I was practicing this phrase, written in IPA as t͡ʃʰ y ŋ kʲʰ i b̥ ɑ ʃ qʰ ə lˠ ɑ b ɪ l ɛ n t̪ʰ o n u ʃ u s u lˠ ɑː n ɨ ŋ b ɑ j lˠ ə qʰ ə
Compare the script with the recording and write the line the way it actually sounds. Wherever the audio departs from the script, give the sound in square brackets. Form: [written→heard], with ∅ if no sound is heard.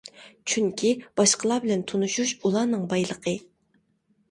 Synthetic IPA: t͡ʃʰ y ŋ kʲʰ i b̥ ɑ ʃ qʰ ə lˠ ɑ b ɪ l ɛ n t̪ʰ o n u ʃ u [s→ʃ] u lˠ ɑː n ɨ ŋ b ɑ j lˠ ə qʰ ə